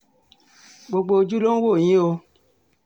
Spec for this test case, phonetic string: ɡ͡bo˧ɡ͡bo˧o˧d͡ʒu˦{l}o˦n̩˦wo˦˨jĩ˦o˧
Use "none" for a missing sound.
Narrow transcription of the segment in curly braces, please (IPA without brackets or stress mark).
l